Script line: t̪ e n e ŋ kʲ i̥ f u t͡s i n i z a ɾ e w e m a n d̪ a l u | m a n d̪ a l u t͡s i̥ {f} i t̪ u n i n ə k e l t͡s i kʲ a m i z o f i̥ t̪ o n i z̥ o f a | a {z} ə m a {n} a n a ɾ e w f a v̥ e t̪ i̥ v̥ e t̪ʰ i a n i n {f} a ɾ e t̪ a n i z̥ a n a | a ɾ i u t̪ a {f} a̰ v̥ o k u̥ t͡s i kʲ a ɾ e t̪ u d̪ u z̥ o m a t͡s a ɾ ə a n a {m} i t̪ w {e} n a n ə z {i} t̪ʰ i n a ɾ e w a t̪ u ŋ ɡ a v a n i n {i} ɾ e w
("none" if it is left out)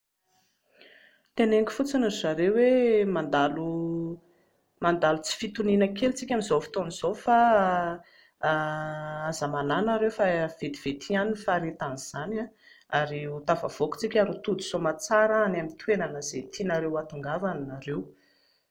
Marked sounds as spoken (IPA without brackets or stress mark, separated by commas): f, z, n, f, v, m, e, e, a